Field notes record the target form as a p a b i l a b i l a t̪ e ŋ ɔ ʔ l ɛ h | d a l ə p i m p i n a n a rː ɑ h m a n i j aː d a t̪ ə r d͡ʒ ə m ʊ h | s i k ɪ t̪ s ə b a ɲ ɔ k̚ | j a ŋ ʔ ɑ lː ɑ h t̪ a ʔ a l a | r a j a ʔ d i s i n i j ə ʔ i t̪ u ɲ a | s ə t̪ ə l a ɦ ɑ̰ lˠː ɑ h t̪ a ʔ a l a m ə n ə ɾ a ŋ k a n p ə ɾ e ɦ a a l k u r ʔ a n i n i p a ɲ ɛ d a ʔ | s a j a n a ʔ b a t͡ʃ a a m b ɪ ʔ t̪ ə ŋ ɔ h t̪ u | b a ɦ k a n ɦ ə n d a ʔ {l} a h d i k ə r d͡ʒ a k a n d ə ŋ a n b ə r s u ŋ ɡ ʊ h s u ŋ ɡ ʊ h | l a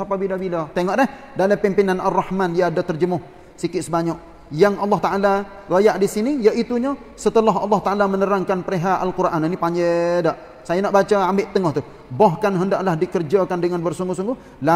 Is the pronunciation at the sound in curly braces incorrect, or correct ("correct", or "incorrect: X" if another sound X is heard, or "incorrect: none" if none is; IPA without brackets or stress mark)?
correct